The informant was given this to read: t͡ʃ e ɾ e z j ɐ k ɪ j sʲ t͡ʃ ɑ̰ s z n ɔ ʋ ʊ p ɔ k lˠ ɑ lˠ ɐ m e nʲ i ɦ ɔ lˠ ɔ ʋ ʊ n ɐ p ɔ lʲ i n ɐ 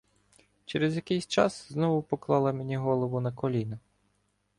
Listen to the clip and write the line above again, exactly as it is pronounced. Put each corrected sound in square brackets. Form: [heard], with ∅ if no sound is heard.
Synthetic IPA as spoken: t͡ʃ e ɾ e z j ɐ k ɪ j sʲ t͡ʃ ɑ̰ s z n ɔ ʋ ʊ p ɔ k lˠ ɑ lˠ ɐ m e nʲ i ɦ ɔ lˠ ɔ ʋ ʊ n ɐ [k] ɔ lʲ i n ɐ